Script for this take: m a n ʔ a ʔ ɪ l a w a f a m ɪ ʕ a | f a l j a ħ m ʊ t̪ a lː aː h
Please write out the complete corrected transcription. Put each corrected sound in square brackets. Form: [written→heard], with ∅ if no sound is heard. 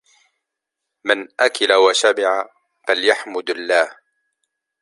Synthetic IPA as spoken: m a n ʔ a [ʔ→k] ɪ l a w a [f→ʃ] a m ɪ ʕ a | f a l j a ħ m ʊ [t̪→d̪] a lː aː h